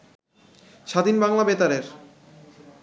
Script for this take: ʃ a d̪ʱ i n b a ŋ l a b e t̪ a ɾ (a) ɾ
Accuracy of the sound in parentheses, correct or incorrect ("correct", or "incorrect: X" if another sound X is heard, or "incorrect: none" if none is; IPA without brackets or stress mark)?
incorrect: e